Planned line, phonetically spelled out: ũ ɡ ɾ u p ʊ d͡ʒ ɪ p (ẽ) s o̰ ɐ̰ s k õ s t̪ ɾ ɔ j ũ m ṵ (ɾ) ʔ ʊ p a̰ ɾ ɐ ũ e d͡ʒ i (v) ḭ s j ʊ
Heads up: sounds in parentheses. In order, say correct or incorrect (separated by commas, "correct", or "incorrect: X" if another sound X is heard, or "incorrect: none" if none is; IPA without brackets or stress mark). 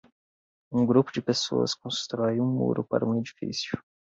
incorrect: e, correct, incorrect: f